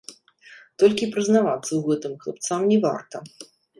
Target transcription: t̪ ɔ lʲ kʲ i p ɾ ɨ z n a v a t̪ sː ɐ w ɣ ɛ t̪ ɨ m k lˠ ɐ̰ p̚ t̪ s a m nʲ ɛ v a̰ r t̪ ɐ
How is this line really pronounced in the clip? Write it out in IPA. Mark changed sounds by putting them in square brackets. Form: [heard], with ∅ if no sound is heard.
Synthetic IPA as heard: t̪ ɔ lʲ kʲ i p ɾ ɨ z n a v a t̪ sː ɐ w ɣ ɛ t̪ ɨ m k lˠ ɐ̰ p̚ t̪ s a m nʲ ɛ v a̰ r t̪ ɐ